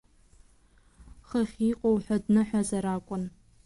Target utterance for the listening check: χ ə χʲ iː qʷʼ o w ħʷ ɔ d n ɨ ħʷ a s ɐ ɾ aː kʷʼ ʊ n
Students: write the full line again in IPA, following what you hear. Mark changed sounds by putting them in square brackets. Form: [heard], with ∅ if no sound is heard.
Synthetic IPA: χ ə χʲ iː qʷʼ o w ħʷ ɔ d n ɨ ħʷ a [z] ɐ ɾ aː kʷʼ ʊ n